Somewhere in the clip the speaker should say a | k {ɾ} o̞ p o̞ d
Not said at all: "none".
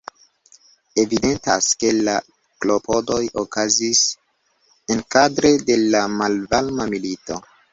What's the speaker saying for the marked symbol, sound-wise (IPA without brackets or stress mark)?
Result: l